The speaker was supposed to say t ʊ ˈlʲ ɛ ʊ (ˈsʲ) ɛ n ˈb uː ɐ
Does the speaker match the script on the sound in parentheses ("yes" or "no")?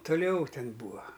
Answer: no